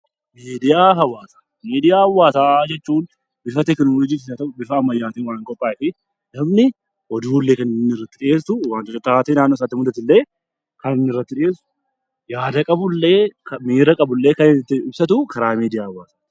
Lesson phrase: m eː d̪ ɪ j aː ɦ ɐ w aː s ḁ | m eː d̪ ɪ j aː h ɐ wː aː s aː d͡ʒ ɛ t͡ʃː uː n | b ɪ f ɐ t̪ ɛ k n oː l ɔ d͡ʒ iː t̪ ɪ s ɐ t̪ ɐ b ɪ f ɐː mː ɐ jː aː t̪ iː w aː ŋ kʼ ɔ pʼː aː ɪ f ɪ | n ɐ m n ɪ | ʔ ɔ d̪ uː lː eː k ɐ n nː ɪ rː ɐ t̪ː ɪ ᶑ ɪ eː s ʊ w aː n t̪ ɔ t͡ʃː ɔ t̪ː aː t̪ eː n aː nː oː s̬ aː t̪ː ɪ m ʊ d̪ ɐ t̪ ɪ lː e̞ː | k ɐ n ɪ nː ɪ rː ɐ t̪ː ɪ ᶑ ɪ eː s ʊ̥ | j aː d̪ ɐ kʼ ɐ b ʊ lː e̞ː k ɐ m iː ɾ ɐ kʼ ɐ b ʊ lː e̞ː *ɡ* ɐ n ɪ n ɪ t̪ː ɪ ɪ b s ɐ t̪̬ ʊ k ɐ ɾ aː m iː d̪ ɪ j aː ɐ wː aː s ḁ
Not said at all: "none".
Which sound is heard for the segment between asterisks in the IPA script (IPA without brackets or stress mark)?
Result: k